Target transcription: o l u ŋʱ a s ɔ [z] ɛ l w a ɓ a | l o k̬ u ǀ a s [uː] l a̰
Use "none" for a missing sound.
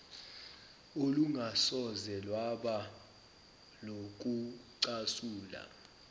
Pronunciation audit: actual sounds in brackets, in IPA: z, uː

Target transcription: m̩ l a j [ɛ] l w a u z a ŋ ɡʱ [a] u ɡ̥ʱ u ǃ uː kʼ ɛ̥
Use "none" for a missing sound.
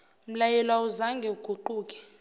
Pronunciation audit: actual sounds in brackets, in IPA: ɛ, ɛ

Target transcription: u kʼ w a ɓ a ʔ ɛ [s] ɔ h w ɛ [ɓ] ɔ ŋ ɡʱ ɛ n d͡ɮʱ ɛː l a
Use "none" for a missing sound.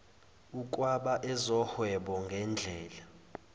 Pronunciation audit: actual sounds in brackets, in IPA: z, ɓ

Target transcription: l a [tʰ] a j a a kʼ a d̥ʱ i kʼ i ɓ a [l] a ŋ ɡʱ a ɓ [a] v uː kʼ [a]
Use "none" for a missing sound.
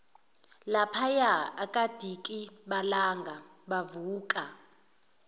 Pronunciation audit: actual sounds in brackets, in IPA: pʰ, l, a, a

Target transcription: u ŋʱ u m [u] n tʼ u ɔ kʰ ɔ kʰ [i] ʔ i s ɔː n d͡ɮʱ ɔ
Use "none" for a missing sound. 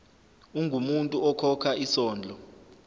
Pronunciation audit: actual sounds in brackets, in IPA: u, a

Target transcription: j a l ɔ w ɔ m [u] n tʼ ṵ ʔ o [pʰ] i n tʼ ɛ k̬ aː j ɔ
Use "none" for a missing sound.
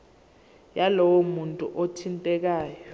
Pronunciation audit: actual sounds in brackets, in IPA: u, tʰ

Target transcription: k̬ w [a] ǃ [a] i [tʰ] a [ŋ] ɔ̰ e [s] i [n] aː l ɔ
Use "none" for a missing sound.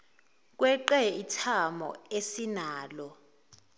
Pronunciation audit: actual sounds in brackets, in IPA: ɛ, ɛ, tʰ, m, s, n

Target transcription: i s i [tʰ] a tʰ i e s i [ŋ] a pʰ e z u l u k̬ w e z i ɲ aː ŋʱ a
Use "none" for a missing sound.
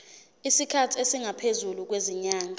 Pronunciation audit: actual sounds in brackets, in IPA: kʰ, ŋ

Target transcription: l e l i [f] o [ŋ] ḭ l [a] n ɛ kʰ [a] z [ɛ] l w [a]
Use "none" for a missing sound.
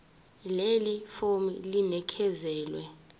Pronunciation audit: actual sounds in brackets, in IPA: f, m, i, ɛ, ɛː, ɛ

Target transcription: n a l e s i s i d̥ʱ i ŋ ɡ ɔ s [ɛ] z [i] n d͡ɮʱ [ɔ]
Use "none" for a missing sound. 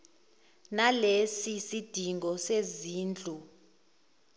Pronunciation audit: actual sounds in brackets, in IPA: e, iː, u

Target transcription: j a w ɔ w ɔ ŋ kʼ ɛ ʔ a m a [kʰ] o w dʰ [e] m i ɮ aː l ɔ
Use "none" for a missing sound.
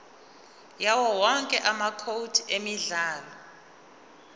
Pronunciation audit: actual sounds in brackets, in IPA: kʰ, e

